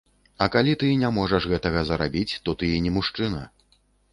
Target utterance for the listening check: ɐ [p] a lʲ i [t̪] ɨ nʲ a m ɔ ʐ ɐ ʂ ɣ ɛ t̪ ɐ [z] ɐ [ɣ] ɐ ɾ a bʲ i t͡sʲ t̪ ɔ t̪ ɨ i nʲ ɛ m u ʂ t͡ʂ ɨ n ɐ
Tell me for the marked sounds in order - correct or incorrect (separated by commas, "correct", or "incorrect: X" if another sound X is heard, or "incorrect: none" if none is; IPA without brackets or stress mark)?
incorrect: k, correct, incorrect: ɣ, incorrect: z